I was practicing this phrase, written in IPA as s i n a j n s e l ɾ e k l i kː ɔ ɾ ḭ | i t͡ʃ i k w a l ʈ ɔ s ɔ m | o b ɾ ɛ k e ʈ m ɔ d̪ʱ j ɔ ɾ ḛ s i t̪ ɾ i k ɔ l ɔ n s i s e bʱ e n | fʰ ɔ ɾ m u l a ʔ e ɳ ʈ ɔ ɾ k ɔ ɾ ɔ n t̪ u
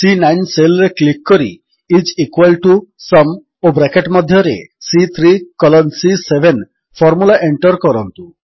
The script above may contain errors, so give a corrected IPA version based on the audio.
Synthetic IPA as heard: s i n a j n s e l ɾ e k l i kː ɔ ɾ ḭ | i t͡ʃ i k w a l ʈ u s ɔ m | o b ɾ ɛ k e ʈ m ɔ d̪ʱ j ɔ ɾ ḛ s i t̪ʰ ɾ i k ɔ l ɔ n s i s e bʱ e n | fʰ ɔ ɾ m u l a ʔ e ɳ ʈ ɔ ɾ k ɔ ɾ ɔ n t̪ u